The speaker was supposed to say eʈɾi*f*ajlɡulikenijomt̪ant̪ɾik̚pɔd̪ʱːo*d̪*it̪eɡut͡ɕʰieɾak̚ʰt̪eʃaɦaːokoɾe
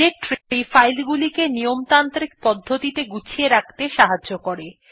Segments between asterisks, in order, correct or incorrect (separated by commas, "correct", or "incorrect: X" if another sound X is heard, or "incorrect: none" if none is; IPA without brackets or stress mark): correct, incorrect: t̪